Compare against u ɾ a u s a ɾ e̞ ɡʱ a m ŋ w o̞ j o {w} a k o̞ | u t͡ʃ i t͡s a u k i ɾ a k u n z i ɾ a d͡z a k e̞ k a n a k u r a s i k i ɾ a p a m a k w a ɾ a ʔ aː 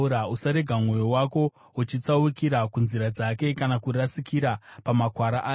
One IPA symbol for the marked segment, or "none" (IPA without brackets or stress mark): w